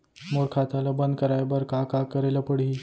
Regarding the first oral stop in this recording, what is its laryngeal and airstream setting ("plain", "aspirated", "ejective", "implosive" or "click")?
aspirated